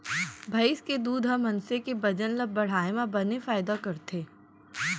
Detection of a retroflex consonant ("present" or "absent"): present